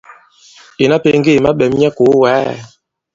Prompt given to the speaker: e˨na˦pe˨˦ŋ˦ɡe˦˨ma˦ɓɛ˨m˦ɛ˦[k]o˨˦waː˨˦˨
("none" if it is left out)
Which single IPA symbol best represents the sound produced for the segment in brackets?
k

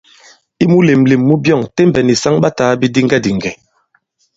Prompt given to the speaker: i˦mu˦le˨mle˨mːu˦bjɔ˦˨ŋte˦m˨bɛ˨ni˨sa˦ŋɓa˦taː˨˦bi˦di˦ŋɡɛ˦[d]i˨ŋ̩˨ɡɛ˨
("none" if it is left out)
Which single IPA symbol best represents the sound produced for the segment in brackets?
d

